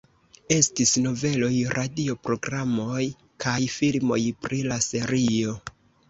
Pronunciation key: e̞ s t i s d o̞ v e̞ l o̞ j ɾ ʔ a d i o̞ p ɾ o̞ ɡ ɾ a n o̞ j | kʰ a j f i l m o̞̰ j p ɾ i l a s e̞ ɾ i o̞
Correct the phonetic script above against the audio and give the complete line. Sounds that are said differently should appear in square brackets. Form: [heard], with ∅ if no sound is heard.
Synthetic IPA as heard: e̞ s t i s [n] o̞ v e̞ l o̞ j ɾ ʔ a d i o̞ p ɾ o̞ ɡ ɾ a [m] o̞ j | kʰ a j f i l m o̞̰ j p ɾ i l a s e̞ ɾ i o̞